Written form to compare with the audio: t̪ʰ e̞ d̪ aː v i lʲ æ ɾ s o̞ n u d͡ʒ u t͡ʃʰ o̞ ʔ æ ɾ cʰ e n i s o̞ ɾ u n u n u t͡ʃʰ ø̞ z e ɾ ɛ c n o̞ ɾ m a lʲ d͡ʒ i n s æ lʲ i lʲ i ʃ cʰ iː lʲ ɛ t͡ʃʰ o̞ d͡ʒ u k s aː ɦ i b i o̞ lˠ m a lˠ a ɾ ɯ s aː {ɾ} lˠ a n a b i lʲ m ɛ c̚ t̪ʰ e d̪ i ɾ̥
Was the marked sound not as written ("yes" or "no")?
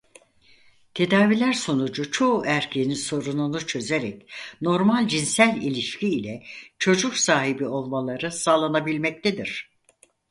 yes